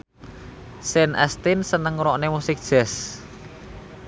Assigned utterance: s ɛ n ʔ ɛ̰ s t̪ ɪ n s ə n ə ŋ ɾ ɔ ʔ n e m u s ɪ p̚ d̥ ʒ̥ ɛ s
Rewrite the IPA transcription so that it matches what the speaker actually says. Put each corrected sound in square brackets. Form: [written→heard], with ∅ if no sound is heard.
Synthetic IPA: s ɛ n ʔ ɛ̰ s t̪ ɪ n s ə n ə ŋ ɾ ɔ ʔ n e m u s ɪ [p̚→k̚] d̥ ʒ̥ ɛ s